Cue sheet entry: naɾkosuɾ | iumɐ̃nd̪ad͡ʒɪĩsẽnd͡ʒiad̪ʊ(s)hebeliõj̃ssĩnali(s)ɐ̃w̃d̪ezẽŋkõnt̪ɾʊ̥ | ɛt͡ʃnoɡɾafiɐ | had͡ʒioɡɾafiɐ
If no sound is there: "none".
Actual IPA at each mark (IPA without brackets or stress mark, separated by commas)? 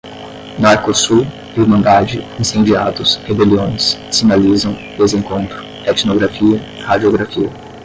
s, z